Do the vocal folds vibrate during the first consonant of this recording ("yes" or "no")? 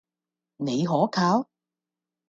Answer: yes